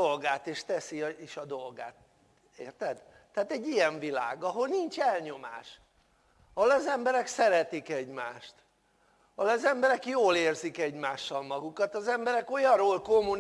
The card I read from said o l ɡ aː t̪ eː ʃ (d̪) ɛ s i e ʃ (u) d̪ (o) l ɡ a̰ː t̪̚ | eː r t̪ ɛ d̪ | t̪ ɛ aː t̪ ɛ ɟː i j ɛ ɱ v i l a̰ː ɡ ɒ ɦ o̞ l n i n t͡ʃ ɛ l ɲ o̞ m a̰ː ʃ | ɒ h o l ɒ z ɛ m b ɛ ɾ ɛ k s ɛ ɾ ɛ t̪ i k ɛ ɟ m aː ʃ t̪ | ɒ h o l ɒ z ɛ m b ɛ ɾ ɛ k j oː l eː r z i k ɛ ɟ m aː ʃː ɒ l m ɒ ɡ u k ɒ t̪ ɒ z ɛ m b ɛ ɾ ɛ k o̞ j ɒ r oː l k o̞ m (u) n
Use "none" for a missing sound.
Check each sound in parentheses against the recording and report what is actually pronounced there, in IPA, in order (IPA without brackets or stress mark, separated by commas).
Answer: t̪, ɒ, o, u